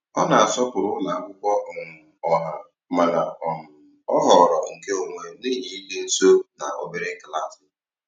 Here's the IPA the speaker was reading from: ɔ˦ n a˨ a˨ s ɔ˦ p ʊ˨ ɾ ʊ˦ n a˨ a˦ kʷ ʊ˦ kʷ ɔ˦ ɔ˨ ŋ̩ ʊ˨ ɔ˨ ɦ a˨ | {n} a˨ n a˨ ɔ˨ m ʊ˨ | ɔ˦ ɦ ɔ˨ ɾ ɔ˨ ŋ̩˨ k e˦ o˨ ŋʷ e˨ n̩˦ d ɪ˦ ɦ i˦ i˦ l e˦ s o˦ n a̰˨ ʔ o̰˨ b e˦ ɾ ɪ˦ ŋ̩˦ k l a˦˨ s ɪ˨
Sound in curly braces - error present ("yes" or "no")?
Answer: yes